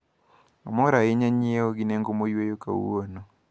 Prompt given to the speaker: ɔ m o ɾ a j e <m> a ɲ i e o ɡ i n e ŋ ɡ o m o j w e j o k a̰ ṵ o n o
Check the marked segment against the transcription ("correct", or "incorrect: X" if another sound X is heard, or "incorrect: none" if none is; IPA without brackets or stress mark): incorrect: ɲ